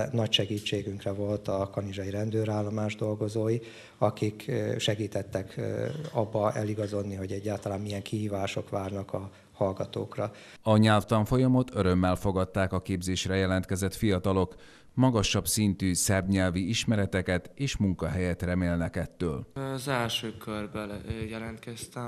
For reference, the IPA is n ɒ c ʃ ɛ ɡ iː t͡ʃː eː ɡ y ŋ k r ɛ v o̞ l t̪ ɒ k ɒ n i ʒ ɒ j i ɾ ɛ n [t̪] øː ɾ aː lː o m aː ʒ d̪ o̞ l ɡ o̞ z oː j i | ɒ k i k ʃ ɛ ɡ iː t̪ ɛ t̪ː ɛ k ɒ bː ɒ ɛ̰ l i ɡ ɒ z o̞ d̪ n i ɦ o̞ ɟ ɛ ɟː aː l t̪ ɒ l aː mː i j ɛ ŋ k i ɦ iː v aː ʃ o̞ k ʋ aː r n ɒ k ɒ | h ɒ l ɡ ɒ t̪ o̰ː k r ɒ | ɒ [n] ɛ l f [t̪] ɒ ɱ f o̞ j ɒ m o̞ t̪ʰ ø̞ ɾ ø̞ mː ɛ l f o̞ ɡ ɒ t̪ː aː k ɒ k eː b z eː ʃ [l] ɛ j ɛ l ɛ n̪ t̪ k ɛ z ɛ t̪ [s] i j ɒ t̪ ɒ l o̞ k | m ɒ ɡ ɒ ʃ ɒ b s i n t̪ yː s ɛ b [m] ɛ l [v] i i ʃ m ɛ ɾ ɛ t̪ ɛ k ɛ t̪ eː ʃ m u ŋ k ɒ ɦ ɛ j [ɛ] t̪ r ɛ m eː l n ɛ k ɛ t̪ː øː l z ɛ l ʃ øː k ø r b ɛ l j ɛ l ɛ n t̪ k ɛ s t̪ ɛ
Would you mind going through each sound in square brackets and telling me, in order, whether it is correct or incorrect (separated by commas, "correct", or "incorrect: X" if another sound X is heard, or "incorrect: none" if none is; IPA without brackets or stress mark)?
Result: incorrect: d̪, incorrect: ɲ, correct, incorrect: r, incorrect: f, incorrect: ɲ, correct, correct